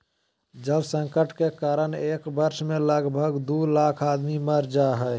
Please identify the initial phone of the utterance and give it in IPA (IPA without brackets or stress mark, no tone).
d͡ʒ